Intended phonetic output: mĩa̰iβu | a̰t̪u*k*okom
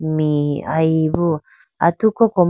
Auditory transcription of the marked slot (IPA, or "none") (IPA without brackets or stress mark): k